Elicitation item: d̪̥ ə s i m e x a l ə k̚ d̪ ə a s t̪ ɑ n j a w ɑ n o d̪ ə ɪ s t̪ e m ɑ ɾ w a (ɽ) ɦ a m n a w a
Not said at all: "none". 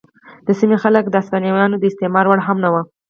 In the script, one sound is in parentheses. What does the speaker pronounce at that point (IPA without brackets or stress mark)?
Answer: ɽ